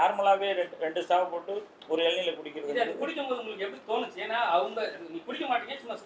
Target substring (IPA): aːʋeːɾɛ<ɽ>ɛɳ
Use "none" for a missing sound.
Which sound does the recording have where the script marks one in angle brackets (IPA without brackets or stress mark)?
ɾ